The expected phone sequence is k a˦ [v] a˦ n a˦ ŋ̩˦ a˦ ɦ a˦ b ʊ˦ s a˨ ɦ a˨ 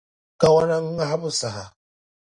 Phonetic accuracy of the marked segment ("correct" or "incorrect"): incorrect